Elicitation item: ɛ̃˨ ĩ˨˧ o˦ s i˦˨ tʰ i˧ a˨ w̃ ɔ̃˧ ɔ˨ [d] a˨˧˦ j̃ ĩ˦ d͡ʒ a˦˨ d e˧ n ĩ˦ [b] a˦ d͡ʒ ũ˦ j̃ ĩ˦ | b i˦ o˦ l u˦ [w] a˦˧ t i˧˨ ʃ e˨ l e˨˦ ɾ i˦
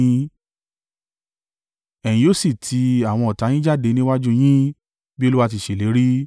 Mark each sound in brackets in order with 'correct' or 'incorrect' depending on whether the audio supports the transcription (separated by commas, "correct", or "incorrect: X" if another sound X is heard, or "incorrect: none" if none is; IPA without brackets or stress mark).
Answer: incorrect: t, incorrect: w, correct